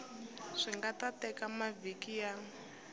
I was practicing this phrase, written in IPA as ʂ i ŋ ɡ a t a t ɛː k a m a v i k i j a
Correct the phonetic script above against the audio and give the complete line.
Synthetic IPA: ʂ i ŋ ɡ a t a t ɛ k a m a v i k i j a